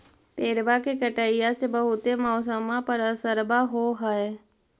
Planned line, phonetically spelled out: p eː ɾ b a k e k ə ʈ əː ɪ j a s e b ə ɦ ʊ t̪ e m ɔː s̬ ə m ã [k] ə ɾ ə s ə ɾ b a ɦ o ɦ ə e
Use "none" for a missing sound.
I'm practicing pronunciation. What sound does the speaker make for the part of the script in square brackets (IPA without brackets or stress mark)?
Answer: p